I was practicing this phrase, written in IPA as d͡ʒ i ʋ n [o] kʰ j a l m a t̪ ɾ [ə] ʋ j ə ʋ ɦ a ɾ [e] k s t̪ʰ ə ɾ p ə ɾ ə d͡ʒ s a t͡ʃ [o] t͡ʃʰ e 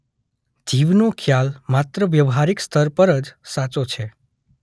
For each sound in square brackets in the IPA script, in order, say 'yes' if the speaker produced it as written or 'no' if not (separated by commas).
yes, yes, no, yes